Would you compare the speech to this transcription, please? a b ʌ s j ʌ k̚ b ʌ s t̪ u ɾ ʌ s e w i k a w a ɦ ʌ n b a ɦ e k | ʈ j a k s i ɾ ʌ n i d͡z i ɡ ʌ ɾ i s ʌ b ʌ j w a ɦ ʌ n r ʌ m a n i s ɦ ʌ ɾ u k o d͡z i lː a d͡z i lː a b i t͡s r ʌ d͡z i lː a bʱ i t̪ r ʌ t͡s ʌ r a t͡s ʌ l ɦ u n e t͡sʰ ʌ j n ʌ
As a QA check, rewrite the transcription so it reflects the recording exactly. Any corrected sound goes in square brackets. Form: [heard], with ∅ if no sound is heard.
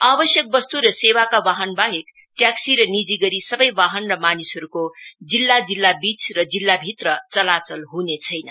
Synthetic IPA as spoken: a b ʌ s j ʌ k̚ b ʌ s t̪ u ɾ ʌ s e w [a] k a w a ɦ ʌ n b a ɦ e k | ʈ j a k s i ɾ ʌ n i d͡z i ɡ ʌ ɾ i s ʌ b ʌ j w a ɦ ʌ n r ʌ m a n i s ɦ ʌ ɾ u k o d͡z i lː a d͡z i lː a b i t͡s r ʌ d͡z i lː a bʱ i t̪ r ʌ t͡s ʌ [l] a t͡s ʌ l ɦ u n e t͡sʰ ʌ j n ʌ